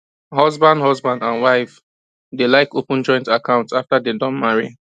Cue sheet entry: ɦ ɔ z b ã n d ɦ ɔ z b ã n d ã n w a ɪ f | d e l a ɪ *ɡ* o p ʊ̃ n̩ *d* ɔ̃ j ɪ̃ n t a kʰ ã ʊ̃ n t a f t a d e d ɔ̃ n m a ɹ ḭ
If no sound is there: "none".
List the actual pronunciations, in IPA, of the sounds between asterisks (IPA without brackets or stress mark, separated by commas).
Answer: k, d͡ʒ